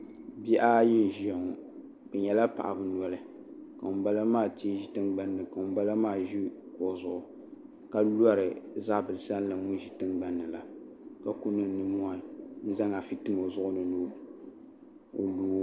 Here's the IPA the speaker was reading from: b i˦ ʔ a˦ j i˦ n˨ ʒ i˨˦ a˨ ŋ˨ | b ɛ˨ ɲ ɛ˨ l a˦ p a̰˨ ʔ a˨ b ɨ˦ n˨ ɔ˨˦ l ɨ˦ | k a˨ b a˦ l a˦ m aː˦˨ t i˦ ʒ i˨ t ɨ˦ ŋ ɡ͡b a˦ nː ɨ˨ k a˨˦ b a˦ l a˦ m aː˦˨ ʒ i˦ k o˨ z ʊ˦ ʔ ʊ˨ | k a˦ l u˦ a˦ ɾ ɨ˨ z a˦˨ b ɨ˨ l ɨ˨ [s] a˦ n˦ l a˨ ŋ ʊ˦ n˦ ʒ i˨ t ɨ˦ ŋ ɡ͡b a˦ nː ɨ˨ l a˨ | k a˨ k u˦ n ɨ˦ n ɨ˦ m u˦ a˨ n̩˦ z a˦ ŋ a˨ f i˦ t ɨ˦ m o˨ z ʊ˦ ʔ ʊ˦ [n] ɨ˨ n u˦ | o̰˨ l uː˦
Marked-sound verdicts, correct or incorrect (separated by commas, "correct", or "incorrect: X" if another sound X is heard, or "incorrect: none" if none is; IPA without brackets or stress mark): correct, correct